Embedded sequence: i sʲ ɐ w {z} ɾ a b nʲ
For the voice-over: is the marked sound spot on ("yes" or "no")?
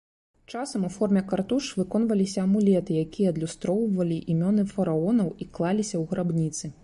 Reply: no